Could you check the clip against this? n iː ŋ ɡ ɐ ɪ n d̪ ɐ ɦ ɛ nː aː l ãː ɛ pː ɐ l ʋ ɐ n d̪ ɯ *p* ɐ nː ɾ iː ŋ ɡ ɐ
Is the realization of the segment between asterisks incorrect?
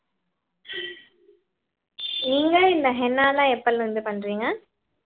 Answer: no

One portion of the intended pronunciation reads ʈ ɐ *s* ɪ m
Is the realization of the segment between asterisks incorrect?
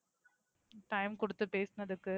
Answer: yes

